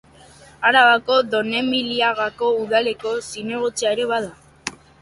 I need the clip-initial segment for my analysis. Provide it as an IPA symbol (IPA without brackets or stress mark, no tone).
a